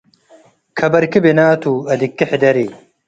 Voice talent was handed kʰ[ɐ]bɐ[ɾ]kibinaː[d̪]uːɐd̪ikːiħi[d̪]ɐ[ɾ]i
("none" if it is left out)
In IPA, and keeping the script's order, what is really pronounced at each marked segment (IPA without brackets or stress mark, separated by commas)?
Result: ɐ, ɾ, t̪, d̪, ɾ